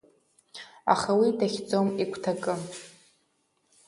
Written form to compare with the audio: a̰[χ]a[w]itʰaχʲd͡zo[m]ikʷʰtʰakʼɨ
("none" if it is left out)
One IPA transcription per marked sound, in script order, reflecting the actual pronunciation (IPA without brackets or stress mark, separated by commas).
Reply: χ, w, m